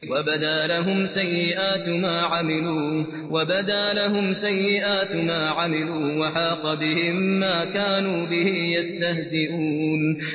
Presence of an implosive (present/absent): absent